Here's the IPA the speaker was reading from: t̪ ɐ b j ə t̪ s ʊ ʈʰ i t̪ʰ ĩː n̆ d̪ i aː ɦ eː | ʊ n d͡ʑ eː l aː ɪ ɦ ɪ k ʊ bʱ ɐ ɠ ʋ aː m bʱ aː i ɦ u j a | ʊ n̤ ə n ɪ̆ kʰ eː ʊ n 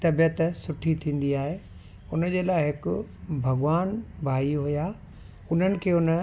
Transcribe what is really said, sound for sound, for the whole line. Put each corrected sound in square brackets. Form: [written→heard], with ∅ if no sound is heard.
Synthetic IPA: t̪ ɐ b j ə t̪ s ʊ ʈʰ i t̪ʰ ĩː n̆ d̪ i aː ɦ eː | ʊ n d͡ʑ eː l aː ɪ ɦ ɪ k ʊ bʱ ɐ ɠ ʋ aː [m→n] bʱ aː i ɦ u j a | ʊ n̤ ə n ɪ̆ kʰ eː ʊ n